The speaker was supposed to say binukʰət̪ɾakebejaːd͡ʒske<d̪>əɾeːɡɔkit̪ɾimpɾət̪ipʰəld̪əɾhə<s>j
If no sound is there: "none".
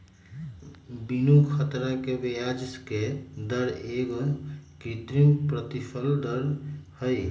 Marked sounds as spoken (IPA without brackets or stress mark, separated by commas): d̪, none